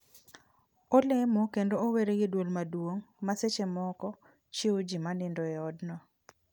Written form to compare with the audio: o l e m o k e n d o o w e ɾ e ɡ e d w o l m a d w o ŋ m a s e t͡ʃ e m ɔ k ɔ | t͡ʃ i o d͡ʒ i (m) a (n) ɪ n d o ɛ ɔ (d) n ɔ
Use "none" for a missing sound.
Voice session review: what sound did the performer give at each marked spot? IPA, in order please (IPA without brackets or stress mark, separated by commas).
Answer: m, n, d